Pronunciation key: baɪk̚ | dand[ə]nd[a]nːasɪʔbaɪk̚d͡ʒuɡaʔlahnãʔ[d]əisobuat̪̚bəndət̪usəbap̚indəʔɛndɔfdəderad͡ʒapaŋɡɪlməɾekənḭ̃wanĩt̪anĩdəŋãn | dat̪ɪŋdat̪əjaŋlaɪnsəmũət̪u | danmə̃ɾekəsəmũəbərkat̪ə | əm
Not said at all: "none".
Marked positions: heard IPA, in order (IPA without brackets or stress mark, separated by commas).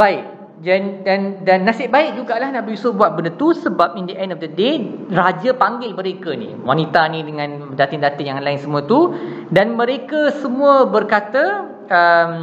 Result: a, a, b